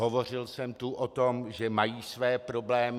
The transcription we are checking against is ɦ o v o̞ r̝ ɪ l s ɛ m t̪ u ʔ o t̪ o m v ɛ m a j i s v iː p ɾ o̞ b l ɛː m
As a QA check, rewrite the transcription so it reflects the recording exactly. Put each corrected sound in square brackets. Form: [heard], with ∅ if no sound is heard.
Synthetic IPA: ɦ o v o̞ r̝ ɪ l s ɛ m t̪ u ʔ o t̪ o m [ʒ] ɛ m a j [iː] s v [ɛː] p ɾ o̞ b l ɛː m